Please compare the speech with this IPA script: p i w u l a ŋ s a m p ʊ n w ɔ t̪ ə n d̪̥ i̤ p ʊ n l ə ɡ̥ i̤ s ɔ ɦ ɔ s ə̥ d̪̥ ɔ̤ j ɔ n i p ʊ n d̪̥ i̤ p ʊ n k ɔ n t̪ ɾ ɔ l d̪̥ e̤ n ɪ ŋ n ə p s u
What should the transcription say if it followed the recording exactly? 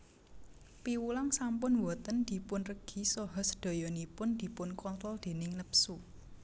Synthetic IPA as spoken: p i w u l a ŋ s a m p ʊ n w ɔ t̪ ə n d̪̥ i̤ p ʊ n r ə ɡ̥ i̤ s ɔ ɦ ɔ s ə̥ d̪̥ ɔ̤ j ɔ n i p ʊ n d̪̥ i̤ p ʊ n k ɔ n t̪ ɾ ɔ l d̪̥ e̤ n ɪ ŋ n ə p s u